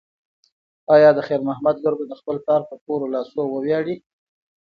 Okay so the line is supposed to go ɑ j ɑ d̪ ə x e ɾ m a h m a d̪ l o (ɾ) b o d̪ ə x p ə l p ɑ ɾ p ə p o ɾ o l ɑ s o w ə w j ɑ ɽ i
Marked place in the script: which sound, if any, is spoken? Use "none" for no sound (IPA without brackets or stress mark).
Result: ɾ